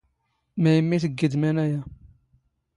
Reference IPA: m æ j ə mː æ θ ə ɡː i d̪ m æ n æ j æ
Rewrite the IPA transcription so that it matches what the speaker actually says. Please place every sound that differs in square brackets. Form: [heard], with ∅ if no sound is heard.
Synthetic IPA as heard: m æ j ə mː [i] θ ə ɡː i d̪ m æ n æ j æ